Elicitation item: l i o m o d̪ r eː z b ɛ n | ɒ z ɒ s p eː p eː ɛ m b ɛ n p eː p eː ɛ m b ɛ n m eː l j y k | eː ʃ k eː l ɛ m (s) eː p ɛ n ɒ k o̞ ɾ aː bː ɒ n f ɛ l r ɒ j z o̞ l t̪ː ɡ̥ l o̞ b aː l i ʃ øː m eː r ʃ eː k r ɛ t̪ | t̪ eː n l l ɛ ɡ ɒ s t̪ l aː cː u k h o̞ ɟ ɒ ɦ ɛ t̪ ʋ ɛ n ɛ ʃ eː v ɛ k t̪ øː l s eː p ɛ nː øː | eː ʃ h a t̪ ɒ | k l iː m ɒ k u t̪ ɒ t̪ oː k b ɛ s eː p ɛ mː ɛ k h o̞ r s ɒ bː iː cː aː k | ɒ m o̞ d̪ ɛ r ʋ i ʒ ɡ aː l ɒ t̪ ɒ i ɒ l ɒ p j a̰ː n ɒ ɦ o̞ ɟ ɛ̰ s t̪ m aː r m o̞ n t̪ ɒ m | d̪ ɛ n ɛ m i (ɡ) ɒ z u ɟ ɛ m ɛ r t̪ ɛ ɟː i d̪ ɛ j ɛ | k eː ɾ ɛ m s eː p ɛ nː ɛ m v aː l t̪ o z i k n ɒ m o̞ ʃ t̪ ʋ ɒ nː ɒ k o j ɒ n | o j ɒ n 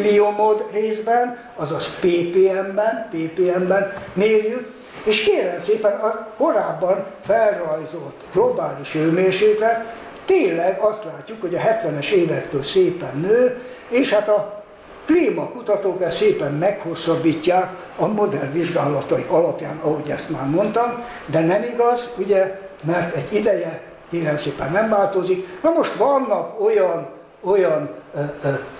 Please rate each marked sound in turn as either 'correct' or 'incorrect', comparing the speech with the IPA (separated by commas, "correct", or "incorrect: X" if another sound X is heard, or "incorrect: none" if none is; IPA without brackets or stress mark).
correct, correct